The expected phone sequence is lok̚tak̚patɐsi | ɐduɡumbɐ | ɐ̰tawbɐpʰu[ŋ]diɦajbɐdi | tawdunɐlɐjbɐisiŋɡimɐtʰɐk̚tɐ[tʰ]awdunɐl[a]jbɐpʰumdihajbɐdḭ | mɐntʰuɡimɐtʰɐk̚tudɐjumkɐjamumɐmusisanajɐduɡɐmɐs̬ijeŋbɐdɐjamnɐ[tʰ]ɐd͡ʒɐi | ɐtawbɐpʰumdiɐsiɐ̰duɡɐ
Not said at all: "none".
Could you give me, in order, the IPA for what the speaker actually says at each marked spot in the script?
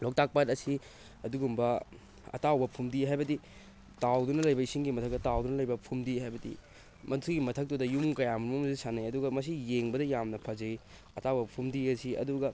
m, t, ɐ, pʰ

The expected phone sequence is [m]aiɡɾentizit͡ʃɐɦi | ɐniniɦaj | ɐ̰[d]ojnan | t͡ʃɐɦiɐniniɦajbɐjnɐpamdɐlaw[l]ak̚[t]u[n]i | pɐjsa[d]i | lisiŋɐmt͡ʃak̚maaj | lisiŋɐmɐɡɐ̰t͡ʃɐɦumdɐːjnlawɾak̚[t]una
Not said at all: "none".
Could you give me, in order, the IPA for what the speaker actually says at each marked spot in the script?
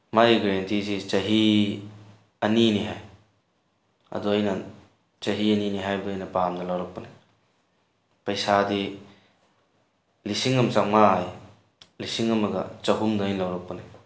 m, d, ɾ, p, n, d, p

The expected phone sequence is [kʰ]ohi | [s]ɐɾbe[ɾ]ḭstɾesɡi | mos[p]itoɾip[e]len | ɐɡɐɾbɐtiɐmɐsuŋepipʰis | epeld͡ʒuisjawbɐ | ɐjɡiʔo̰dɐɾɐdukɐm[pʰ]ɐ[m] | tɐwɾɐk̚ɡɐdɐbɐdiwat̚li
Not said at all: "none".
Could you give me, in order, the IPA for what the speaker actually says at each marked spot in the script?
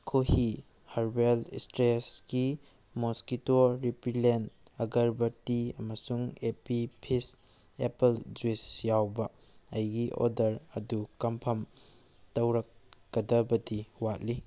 kʰ, h, l, k, i, pʰ, m

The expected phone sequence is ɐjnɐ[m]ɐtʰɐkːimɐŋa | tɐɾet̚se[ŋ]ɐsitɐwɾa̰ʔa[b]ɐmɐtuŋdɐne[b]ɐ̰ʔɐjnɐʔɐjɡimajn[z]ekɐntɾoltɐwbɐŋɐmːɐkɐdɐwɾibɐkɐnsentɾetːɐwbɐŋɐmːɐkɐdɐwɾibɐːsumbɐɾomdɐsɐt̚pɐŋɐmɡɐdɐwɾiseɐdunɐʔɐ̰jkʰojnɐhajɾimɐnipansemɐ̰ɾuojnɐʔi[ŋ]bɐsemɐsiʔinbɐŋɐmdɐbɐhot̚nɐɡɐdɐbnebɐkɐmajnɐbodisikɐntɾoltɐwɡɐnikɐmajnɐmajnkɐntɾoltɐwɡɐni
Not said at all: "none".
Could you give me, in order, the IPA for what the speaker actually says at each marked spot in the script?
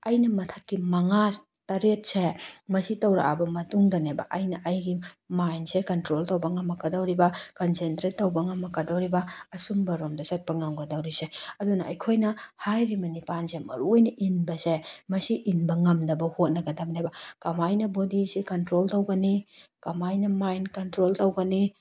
m, m, b, b, s, n

